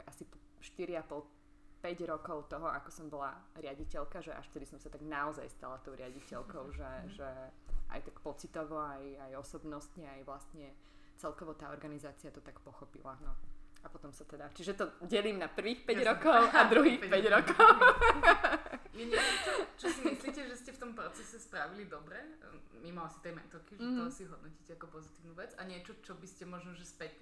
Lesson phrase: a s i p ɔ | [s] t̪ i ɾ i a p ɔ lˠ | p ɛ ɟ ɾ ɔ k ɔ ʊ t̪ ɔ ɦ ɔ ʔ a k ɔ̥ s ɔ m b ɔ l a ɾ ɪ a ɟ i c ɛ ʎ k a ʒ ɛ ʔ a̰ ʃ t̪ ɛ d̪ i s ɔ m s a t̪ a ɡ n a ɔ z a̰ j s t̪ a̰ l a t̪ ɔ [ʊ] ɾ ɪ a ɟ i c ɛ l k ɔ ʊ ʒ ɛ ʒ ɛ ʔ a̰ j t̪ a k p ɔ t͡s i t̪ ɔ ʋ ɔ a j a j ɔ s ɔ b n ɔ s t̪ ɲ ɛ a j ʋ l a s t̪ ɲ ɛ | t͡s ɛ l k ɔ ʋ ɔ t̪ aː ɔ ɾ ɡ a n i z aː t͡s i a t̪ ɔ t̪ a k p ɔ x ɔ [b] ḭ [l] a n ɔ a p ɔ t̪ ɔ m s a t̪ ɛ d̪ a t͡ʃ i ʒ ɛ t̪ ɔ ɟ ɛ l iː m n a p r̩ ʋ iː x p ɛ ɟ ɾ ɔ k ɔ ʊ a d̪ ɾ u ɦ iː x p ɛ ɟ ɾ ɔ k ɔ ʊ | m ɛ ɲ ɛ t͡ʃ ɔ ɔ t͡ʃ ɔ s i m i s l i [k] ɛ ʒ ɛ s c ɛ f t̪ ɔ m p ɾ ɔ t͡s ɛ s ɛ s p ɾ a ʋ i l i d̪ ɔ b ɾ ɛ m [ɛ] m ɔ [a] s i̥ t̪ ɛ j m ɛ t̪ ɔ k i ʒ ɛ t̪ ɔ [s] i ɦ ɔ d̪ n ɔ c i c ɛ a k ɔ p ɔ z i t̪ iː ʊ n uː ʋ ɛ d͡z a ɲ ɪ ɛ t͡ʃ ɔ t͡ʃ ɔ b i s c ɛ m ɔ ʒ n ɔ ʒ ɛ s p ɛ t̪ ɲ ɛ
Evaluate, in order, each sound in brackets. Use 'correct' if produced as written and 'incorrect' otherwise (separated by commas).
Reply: incorrect, correct, incorrect, correct, incorrect, incorrect, correct, correct